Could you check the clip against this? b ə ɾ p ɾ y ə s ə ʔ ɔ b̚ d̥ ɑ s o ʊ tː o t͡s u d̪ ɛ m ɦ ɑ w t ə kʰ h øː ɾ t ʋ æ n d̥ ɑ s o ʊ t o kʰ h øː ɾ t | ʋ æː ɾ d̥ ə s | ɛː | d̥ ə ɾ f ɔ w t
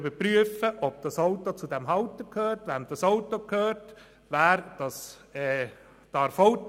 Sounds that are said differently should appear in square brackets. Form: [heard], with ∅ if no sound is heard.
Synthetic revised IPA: b ə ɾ p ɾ y ə [f] ə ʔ ɔ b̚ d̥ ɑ s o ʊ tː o t͡s u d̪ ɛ m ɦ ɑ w t ə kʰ h øː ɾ t ʋ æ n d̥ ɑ s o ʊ t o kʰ h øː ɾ t | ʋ æː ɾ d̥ [ɑ] s | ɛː | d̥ [ɑ] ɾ f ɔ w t